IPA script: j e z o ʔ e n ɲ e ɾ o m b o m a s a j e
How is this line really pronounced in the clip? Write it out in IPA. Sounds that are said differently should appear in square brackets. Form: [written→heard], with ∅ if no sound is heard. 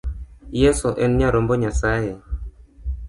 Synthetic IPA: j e [z→s] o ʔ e n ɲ [e→a] ɾ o m b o [m→ɲ] a s a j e

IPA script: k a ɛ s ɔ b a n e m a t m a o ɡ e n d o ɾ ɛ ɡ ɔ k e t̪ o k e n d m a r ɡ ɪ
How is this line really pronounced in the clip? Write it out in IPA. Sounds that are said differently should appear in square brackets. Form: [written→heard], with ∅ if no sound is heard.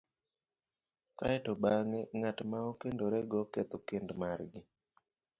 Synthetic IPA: k a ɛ [s→t] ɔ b a [n→ŋ] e [m→ŋ] a t m a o [ɡ→k] e n d o ɾ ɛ ɡ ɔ k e t̪ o k e n d m a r ɡ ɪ

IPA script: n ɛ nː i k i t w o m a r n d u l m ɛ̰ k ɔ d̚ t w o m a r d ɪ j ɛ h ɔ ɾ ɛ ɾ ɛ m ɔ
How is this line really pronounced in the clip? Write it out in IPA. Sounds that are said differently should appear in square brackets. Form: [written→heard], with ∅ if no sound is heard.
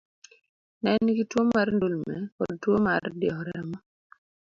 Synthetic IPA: n ɛ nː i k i t w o m a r n d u l m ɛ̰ k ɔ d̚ t w o m a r d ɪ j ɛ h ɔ ɾ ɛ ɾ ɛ m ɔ

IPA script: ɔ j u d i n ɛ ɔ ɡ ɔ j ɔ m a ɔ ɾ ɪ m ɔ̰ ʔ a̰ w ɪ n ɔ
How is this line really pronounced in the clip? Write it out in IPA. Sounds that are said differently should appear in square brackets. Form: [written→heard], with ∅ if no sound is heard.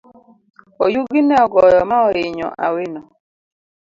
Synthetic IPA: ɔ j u [d→ɡ] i n ɛ ɔ ɡ ɔ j ɔ m a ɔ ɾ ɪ [m→ɲ] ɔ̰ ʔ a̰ w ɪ n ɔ

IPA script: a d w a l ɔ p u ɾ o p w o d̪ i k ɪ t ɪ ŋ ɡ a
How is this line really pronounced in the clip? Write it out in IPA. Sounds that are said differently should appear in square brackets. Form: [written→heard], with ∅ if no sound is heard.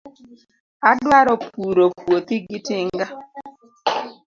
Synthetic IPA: a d w a [l→ɾ] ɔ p u ɾ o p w o [d̪→t̪] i [k→ɡ] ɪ t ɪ ŋ ɡ a

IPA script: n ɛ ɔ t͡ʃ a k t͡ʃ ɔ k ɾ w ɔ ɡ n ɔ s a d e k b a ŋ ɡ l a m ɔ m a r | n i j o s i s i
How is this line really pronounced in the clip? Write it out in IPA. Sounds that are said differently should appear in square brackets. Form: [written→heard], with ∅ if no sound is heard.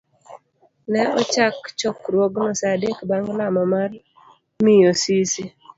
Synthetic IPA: n ɛ ɔ t͡ʃ a k t͡ʃ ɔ k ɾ w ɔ ɡ n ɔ s a d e k b a ŋ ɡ l a m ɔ m a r | [n→m] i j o s i s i

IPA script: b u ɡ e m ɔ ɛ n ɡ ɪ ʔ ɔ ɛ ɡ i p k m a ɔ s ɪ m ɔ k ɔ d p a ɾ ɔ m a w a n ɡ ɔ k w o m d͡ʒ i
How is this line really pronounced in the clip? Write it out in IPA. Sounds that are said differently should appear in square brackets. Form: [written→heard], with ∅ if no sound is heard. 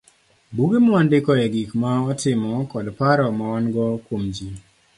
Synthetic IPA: b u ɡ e m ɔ [ɛ→a] n [ɡ→d] ɪ [ʔ→k] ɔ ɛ ɡ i [p→∅] k m a ɔ [s→t] ɪ m ɔ k ɔ d p a ɾ ɔ m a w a n ɡ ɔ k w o m d͡ʒ i

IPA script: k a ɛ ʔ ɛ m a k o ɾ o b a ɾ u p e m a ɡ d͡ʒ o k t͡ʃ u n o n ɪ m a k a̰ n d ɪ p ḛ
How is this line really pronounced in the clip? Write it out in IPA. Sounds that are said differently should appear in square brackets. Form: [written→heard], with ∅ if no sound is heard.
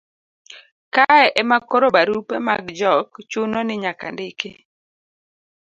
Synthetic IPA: k a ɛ ʔ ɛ m a k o ɾ o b a ɾ u p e m a ɡ d͡ʒ [o→ɔ] k t͡ʃ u n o n ɪ [m→ɲ] a k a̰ n d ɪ [p→k] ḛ

